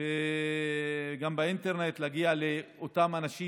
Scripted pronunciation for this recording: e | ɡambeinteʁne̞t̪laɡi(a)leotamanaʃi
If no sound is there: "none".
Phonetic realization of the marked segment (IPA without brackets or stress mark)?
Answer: a